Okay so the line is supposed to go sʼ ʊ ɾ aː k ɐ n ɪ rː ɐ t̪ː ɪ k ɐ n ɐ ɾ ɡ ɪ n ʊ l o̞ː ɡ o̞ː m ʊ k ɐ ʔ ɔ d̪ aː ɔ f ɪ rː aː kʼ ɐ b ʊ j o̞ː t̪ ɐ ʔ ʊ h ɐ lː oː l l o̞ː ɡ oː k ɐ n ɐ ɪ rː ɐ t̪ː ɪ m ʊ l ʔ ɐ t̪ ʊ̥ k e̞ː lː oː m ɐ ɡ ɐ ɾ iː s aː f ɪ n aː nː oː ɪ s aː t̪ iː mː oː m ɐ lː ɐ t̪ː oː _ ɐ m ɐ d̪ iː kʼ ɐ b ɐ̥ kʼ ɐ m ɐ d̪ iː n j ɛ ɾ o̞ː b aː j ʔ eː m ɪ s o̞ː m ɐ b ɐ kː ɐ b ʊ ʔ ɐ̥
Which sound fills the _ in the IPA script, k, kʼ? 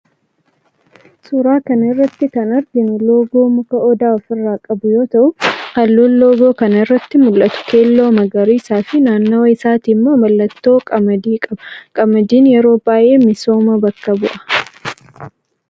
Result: kʼ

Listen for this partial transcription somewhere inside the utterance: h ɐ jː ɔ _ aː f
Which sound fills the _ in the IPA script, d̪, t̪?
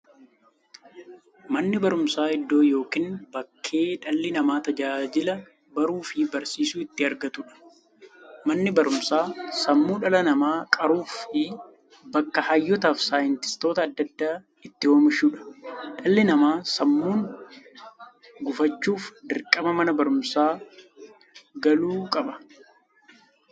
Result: t̪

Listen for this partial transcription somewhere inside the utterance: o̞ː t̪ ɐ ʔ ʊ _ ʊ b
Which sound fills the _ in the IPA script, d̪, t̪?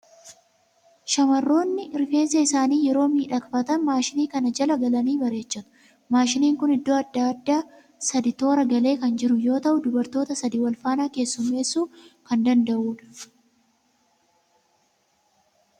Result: d̪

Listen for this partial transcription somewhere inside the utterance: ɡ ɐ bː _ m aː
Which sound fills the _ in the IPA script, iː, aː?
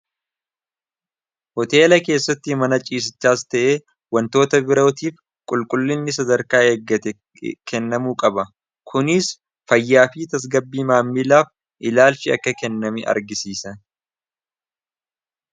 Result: iː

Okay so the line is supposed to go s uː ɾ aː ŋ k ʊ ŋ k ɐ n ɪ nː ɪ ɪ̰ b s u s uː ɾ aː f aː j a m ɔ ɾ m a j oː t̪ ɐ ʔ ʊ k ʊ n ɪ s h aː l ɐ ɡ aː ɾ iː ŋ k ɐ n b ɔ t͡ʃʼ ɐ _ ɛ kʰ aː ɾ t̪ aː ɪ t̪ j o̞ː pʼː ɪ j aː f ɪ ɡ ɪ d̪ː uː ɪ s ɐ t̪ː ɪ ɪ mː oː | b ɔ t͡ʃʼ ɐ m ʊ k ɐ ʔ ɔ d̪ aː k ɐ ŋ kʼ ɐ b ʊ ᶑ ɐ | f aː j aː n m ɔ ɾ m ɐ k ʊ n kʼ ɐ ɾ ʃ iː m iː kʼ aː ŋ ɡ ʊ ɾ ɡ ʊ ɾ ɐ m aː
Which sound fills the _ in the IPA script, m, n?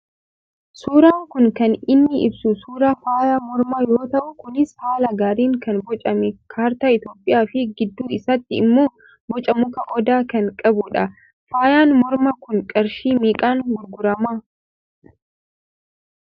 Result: m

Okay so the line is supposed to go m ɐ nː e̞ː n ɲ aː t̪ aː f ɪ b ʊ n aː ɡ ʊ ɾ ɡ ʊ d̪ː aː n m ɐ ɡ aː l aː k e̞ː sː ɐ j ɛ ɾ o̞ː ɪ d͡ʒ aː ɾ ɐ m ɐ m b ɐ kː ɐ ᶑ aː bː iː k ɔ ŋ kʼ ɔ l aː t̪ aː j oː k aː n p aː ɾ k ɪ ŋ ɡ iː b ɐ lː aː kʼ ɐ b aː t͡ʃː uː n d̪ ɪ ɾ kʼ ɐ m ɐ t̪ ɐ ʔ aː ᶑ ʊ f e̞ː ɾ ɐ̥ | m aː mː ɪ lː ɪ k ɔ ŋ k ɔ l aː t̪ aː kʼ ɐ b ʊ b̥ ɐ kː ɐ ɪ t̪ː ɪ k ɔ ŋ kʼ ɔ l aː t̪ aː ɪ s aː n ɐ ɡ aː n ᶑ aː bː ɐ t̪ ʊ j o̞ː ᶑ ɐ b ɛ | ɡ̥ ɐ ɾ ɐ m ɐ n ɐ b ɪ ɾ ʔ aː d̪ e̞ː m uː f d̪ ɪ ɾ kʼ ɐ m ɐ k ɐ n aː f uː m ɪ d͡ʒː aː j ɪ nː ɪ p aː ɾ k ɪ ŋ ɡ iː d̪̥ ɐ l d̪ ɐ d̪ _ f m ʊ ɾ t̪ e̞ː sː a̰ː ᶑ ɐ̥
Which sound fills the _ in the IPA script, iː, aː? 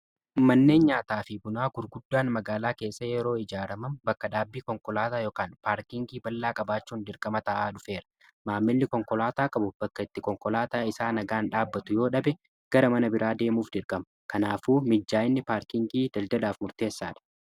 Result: aː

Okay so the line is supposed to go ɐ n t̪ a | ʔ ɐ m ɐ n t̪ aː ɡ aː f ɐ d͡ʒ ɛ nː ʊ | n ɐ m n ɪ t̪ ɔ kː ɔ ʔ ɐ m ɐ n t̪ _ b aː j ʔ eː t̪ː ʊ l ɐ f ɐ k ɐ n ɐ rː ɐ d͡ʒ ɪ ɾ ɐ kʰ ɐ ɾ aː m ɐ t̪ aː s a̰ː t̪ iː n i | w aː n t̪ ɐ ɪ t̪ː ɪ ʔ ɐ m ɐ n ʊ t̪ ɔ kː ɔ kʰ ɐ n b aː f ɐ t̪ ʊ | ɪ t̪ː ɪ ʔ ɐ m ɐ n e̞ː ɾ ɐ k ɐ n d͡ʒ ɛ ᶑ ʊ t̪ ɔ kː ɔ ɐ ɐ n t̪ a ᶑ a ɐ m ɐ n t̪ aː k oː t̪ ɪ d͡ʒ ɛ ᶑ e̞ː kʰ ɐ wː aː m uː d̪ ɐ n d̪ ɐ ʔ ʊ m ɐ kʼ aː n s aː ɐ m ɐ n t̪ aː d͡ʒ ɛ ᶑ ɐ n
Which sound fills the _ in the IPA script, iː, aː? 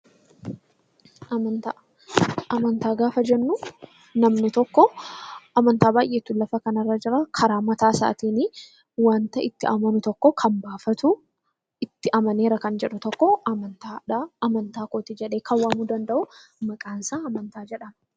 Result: aː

